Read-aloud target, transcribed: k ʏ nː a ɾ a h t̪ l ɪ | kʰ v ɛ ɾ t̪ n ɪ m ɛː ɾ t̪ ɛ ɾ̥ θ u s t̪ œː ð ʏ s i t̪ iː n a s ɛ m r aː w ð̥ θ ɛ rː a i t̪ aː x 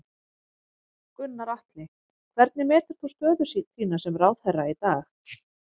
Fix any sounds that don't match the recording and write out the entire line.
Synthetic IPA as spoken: k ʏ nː a ɾ a h t̪ l ɪ | kʰ v ɛ ɾ t̪ n ɪ m ɛː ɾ t̪ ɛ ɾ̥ θ u s t̪ œː ð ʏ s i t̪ iː n a s ɛ m r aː w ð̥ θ ɛ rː a i t̪ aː x

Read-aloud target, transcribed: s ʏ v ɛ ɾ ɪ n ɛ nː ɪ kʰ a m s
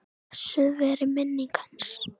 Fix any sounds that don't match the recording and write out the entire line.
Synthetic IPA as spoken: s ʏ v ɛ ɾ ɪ m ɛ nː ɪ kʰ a n s

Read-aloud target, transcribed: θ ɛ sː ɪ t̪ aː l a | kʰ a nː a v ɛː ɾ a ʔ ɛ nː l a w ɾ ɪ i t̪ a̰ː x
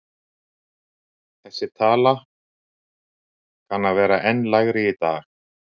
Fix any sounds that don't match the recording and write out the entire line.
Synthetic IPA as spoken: θ ɛ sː ɪ t̪ʰ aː l a | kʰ a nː a v ɛː ɾ a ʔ ɛ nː l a ɣ ɾ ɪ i t̪ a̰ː x

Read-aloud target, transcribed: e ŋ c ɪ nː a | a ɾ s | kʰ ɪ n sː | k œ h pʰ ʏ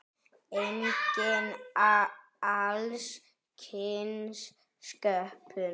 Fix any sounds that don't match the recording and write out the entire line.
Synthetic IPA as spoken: e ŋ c ɪ n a | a l s | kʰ ɪ n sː | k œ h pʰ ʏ

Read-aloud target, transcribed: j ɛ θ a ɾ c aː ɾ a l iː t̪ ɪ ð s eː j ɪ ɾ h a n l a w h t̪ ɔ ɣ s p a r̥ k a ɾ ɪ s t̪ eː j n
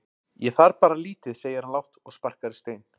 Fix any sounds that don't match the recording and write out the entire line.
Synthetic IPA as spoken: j ɛ θ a ɾ p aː ɾ a l iː t̪ ɪ ð s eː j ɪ ɾ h a n l a w h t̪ ɔ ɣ s p a r̥ k a ɾ ɪ s t̪ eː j n

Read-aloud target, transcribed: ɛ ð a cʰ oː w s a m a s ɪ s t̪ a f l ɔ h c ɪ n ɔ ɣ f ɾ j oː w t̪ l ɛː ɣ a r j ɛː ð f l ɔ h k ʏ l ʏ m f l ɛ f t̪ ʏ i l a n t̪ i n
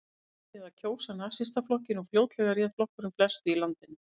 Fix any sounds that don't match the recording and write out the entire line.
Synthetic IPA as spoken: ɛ ð a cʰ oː w s a n a s ɪ s t̪ a f l ɔ h c ɪ n ɔ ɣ f l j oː w t̪ l ɛ ɣ a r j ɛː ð f l ɔ h k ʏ ɾ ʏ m f l ɛ s t̪ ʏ i l a n t̪ ɪ n

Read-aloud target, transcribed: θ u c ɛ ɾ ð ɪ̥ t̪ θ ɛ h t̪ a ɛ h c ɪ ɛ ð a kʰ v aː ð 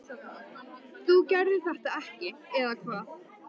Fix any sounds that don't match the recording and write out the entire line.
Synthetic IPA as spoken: θ u c ɛ ɾ ð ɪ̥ θ ɛ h t̪ a ɛ h c ɪ ɛ ð a kʰ v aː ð

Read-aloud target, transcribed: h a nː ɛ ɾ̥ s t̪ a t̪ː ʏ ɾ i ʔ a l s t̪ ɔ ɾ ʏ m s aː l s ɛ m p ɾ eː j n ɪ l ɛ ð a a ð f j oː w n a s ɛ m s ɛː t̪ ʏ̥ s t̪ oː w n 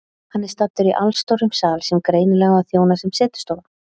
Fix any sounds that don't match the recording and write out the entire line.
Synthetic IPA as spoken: h a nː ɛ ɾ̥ s t̪ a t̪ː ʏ ɾ i ʔ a l s t̪ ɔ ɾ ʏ m s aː l s ɛ m k ɾ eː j n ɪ l ɛ ɣ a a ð θ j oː w n a s ɛ m s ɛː t̪ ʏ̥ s t̪ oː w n

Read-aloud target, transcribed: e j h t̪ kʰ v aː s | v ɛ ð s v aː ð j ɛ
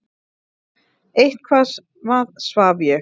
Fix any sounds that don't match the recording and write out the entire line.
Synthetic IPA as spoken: e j h t̪ kʰ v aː s | v a ð s v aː v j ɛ

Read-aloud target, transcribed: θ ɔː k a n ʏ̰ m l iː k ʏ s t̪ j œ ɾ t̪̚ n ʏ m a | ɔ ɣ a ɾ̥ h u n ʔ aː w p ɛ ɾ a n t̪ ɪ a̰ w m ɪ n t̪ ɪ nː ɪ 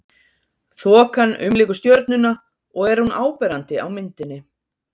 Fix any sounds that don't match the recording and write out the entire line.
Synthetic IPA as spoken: θ ɔː k a n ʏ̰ m l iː k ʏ s t̪ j œ ɾ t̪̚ n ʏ n a | ɔ ɣ ɛ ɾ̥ h u n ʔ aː w p ɛ ɾ a n t̪ ɪ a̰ w m ɪ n t̪ ɪ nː ɪ

